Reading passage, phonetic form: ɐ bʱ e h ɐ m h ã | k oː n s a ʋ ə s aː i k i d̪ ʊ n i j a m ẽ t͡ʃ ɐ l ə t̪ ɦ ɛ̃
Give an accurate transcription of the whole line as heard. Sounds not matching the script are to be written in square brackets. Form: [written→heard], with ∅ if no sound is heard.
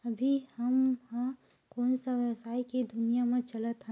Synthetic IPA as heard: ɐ bʱ [e→i] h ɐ m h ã | k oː n s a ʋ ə s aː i k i d̪ ʊ n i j a m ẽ t͡ʃ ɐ l ə t̪ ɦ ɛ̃